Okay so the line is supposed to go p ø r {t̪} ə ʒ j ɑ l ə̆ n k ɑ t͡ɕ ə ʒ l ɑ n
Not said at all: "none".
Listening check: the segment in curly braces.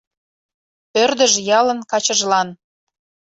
d̪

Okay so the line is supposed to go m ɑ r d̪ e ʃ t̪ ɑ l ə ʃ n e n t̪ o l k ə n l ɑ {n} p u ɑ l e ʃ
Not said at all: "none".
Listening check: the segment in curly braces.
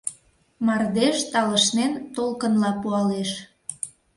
none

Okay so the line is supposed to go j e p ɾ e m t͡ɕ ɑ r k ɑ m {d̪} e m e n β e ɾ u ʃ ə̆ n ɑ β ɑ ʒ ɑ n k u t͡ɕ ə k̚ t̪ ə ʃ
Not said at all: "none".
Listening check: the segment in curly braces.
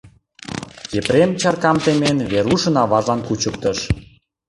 t̪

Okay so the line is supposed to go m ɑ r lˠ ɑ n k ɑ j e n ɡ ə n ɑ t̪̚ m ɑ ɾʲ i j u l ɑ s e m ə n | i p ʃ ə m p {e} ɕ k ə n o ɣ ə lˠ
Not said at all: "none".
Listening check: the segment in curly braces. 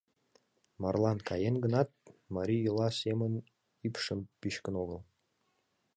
i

